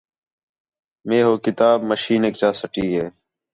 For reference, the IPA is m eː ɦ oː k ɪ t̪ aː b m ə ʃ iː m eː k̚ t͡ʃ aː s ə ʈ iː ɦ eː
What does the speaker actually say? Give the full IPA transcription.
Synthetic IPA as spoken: m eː ɦ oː k ɪ t̪ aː b m ə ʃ iː n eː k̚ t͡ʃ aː s ə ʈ iː ɦ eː